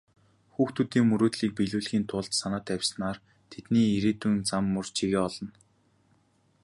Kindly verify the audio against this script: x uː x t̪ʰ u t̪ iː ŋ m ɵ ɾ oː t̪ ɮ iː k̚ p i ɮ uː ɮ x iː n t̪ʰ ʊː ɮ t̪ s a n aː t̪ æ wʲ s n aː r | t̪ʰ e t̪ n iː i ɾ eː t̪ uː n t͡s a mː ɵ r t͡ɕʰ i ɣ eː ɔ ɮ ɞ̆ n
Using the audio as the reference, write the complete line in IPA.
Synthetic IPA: x uː x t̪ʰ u t̪ iː ŋ m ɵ ɾ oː t̪ ɮ iː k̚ p i ɮ uː ɮ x iː n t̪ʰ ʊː ɮ t̪ s a n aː t̪ æ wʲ s n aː r | t̪ʰ e t̪ n iː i ɾ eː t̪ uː n t͡s a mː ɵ r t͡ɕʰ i ɣ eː ɔ ɮ ɞ̆ n